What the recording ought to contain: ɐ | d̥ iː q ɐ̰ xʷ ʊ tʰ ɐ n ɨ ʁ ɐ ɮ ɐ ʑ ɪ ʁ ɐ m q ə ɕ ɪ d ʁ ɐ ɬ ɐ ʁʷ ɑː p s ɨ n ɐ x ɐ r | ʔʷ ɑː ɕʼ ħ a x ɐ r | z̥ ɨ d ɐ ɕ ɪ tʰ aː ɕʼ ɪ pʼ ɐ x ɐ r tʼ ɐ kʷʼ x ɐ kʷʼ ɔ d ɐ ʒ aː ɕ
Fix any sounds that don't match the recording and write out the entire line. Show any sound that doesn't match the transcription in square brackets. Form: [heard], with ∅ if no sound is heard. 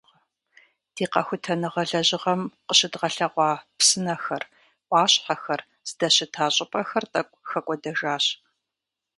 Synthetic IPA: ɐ | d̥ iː q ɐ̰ xʷ ʊ tʰ ɐ n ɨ ʁ ɐ ɮ ɐ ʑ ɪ ʁ ɐ m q ə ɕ ɪ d ʁ ɐ ɬ ɐ ʁʷ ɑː p s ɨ n ɐ x ɐ r | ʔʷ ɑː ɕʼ ħ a x ɐ r | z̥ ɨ d ɐ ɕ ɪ tʰ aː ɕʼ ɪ pʼ ɐ x ɐ r tʼ ɐ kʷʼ x ɐ kʷʼ ɔ d ɐ ʒ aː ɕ